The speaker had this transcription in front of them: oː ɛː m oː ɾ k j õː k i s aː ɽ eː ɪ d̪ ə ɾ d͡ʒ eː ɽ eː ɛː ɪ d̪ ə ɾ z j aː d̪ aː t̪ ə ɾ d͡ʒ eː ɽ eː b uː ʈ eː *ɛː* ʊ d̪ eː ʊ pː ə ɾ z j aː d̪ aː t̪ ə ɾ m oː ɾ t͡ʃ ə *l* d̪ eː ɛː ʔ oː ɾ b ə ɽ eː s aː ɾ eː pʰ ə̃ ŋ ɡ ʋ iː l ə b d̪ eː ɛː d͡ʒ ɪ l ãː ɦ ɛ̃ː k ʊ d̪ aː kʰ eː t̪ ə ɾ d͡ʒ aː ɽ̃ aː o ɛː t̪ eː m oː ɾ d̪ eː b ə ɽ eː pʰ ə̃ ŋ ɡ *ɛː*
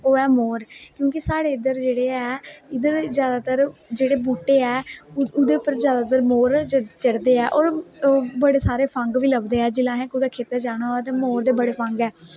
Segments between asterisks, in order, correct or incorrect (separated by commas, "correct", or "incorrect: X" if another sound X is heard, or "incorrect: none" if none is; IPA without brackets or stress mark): correct, incorrect: ɽ, correct